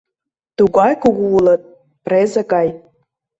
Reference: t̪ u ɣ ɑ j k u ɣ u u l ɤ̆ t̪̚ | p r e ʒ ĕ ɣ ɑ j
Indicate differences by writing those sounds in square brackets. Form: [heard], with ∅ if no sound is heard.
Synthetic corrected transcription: t̪ u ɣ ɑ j k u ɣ u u l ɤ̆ t̪̚ | p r e [z] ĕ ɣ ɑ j